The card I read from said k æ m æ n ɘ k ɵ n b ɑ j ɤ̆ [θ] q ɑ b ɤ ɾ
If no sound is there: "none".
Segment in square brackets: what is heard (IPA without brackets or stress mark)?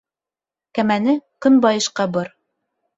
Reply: ʃ